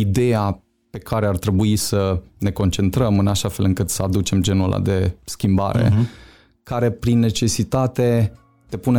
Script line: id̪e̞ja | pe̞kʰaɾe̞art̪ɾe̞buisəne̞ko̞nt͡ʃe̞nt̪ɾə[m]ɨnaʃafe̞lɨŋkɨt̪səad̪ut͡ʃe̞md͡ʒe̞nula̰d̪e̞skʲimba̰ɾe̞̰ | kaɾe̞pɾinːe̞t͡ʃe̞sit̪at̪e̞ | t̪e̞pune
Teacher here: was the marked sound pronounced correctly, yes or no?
yes